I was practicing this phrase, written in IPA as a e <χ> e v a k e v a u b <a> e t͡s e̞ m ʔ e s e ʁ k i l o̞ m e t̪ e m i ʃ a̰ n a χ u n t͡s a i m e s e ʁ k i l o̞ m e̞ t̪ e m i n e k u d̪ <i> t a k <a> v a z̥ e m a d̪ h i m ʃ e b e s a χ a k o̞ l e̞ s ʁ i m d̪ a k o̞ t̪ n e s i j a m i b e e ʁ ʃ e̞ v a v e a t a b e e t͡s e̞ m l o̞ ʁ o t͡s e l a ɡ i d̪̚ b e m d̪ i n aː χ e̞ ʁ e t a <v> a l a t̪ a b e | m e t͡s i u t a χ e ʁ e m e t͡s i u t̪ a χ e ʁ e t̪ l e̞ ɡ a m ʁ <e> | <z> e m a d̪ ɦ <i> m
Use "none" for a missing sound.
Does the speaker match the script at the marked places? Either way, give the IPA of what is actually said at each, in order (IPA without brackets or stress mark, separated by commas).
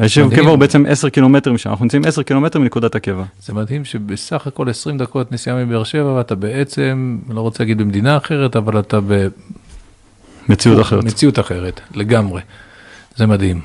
ʃ, e, a, e, v, e, z, i